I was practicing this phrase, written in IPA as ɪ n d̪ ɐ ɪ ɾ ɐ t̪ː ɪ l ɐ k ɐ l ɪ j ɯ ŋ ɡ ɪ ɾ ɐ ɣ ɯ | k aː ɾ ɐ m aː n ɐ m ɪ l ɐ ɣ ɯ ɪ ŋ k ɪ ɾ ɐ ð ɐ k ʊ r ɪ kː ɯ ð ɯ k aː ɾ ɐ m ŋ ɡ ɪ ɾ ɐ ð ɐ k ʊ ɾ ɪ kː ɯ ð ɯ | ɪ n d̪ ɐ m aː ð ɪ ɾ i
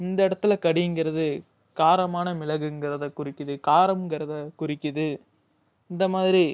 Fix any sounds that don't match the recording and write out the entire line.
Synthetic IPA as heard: ɪ n d̪ ɐ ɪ ɽ ɐ t̪ː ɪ l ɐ k ɐ ɽ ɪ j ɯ ŋ ɡ ɪ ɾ ɐ ð ɯ | k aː ɾ ɐ m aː n ɐ m ɪ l ɐ ɣ ɯ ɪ ŋ ɡ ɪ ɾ ɐ ð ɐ k ʊ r ɪ kː ɯ ð ɯ k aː ɾ ɐ m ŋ ɡ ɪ ɾ ɐ ð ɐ k ʊ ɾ ɪ kː ɯ ð ɯ | ɪ n d̪ ɐ m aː ð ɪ ɾ i